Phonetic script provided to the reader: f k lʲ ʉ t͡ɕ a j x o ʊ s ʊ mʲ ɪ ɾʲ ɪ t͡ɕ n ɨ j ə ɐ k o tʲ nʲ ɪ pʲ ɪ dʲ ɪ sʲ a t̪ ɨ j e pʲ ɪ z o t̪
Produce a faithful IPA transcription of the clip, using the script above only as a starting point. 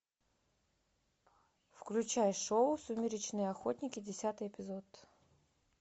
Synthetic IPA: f k lʲ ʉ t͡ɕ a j ʂ o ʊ s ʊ mʲ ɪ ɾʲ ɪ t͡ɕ n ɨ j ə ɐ x o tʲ nʲ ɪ kʲ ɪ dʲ ɪ sʲ a t̪ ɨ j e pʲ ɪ z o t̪